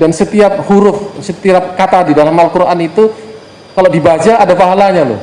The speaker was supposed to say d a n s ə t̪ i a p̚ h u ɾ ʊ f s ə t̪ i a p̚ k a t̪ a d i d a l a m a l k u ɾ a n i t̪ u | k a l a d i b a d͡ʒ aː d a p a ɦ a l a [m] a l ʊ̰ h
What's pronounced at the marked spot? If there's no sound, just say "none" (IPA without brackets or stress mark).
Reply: ɲ